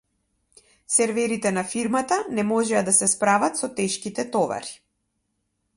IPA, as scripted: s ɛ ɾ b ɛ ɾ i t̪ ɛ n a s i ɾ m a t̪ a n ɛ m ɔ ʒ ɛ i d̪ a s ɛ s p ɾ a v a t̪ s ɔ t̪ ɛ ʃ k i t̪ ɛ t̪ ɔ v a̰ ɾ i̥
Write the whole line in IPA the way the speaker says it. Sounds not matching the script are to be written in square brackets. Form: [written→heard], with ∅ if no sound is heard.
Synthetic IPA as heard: s ɛ ɾ [b→v] ɛ ɾ i t̪ ɛ n a [s→f] i ɾ m a t̪ a n ɛ m ɔ ʒ ɛ [i→a] d̪ a s ɛ s p ɾ a v a t̪ s ɔ t̪ ɛ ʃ k i t̪ ɛ t̪ ɔ v a̰ ɾ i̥